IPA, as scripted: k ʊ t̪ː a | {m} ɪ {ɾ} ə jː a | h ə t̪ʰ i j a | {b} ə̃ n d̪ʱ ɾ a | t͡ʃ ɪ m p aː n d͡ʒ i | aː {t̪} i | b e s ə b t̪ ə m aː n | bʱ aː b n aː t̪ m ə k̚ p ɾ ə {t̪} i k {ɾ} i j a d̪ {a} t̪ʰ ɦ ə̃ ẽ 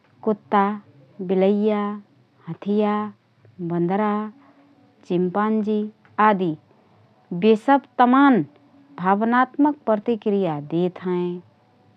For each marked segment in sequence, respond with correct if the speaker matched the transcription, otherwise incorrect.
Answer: incorrect: b, incorrect: l, correct, incorrect: d̪, correct, correct, incorrect: e

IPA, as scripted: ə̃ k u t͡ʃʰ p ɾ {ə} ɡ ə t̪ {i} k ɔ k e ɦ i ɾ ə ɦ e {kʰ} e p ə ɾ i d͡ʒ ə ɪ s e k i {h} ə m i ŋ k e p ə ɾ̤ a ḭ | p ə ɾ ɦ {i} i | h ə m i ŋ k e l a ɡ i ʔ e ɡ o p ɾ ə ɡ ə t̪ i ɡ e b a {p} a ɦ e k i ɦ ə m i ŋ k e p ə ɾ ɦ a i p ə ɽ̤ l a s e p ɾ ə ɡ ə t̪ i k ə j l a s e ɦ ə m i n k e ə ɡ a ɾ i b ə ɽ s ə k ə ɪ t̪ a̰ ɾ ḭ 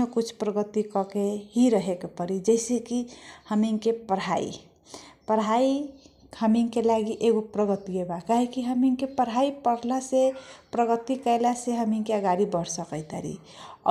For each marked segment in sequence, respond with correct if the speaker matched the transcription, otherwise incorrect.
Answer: correct, correct, incorrect: k, correct, incorrect: a, incorrect: k

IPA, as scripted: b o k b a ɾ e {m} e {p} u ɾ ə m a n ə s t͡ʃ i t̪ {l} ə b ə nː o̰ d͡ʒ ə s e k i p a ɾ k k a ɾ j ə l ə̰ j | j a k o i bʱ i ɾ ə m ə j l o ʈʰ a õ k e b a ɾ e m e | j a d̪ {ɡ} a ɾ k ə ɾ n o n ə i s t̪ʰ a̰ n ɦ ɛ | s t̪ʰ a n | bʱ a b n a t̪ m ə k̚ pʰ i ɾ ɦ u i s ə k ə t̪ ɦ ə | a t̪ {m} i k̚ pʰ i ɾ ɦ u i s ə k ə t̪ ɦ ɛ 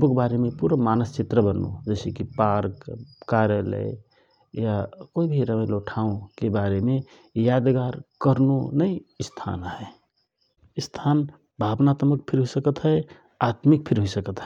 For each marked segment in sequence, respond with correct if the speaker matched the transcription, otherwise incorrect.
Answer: correct, correct, incorrect: ɾ, correct, correct

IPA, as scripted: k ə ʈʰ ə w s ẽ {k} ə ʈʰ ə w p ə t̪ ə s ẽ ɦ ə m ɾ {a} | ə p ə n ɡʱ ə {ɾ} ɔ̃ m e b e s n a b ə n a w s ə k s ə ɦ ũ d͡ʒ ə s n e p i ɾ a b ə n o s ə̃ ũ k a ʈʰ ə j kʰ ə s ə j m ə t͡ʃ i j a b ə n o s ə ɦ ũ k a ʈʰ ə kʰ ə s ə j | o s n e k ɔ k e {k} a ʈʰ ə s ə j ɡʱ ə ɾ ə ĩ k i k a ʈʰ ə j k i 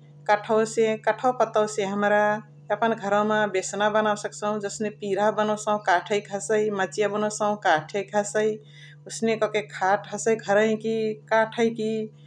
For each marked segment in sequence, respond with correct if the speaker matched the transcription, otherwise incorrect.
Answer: correct, correct, correct, incorrect: kʰ

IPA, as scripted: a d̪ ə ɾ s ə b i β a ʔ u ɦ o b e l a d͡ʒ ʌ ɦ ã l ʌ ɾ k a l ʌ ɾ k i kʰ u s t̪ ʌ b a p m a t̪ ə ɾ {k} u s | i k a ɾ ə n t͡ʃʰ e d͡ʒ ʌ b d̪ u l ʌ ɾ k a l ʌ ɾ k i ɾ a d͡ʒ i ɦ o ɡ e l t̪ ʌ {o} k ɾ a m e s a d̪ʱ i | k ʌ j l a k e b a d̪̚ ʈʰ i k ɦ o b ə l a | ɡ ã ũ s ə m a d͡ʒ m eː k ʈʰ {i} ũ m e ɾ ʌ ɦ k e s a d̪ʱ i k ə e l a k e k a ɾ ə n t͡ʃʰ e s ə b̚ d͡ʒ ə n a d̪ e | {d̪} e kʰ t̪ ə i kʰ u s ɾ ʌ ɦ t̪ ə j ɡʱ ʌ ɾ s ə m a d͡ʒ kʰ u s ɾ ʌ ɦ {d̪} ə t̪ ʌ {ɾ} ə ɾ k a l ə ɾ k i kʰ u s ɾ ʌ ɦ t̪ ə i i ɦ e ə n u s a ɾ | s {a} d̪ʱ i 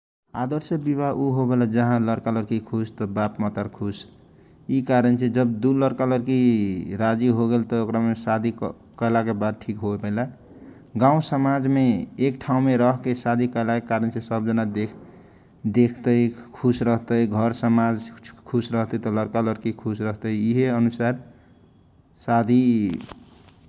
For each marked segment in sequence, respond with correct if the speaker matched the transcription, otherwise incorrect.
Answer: incorrect: kʰ, correct, incorrect: a, correct, incorrect: t̪, incorrect: l, correct

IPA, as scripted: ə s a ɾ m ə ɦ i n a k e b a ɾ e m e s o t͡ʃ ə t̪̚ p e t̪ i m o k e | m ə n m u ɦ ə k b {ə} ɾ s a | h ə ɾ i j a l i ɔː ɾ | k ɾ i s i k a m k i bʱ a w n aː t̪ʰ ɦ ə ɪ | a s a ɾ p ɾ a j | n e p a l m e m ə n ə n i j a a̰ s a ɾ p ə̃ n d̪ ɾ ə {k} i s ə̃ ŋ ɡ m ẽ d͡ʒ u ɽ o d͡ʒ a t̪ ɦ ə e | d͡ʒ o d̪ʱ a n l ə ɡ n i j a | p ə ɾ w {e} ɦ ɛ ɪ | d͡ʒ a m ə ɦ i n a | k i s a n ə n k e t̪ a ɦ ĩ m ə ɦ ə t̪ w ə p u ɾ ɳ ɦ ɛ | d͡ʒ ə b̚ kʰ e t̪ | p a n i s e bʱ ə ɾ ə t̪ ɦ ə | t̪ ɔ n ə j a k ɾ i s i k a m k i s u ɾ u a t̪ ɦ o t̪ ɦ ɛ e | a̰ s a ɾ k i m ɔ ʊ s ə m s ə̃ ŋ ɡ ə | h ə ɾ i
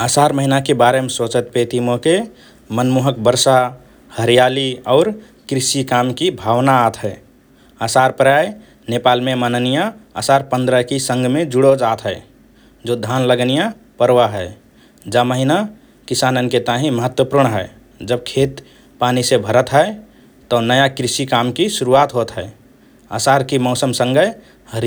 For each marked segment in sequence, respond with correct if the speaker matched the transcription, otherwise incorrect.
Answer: correct, correct, incorrect: a

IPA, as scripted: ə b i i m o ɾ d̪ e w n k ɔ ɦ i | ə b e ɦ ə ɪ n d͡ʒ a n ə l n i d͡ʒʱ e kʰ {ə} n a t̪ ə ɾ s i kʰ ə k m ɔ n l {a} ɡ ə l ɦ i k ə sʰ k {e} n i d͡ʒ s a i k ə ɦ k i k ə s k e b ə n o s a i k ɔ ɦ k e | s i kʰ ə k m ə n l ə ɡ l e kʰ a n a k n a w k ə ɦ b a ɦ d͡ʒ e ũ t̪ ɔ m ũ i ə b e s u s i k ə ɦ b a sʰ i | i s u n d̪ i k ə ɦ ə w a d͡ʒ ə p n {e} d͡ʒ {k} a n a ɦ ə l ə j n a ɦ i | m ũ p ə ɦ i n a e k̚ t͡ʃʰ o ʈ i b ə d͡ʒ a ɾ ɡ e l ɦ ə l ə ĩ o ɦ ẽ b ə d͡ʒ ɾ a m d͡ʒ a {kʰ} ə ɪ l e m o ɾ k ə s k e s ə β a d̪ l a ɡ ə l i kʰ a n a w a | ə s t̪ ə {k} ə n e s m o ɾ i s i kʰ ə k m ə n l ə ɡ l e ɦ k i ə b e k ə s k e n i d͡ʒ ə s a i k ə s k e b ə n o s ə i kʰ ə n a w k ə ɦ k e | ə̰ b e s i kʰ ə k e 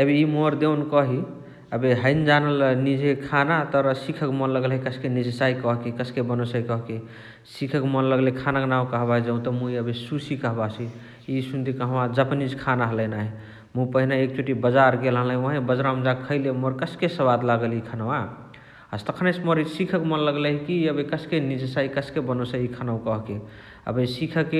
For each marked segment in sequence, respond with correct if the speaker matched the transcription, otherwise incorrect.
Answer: incorrect: a, incorrect: ə, correct, incorrect: i, incorrect: kʰ, correct, incorrect: kʰ

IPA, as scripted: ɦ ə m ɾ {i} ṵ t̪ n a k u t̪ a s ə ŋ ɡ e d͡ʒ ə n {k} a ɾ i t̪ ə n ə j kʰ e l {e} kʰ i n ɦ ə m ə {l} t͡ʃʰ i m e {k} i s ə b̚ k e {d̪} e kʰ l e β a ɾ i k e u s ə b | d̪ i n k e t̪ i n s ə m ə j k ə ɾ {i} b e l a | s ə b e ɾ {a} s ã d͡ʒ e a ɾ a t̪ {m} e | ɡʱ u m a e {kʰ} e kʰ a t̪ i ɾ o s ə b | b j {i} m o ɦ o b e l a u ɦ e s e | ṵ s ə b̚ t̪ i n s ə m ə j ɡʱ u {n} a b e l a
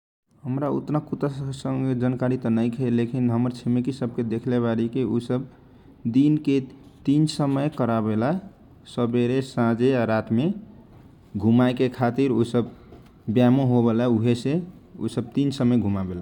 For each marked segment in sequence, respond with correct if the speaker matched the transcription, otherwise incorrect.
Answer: incorrect: a, correct, correct, incorrect: ɾ, correct, correct, incorrect: a, incorrect: e, correct, incorrect: k, incorrect: a, incorrect: m

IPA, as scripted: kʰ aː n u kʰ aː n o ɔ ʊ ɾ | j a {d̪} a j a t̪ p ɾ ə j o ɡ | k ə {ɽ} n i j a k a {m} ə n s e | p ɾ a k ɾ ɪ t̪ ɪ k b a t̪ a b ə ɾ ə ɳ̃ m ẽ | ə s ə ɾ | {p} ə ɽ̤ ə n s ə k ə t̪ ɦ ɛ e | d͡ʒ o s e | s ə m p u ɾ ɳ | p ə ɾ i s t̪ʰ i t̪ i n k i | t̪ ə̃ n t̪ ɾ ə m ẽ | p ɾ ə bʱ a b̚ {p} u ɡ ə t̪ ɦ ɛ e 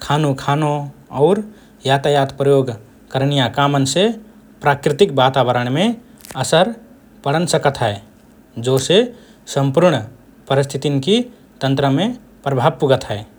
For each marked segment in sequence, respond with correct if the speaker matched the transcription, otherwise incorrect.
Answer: incorrect: t̪, incorrect: ɾ, correct, correct, correct

